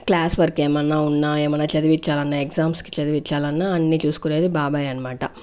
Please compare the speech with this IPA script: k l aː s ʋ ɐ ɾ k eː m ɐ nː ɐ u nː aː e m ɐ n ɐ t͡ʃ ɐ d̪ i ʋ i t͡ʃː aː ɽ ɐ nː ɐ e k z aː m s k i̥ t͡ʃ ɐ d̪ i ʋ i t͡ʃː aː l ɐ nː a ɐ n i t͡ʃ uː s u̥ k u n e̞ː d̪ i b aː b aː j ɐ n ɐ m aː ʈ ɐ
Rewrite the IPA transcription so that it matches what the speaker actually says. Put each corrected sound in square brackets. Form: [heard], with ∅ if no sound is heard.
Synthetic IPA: k l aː s ʋ ɐ ɾ k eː m ɐ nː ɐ u nː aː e m ɐ n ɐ t͡ʃ ɐ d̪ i ʋ i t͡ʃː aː [l] ɐ nː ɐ e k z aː m s k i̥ t͡ʃ ɐ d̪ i ʋ i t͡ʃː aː l ɐ nː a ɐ [nː] i t͡ʃ uː s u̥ k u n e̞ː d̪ i b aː b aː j ɐ n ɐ m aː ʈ ɐ